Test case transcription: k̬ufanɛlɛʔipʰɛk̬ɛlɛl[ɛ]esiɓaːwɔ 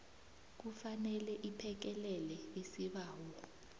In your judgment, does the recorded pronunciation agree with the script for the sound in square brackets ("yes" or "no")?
yes